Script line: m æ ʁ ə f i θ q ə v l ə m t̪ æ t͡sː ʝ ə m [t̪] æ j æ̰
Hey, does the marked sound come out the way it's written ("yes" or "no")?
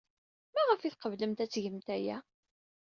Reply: yes